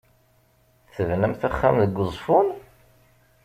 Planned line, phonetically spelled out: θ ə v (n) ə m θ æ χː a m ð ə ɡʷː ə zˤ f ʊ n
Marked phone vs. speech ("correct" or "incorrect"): correct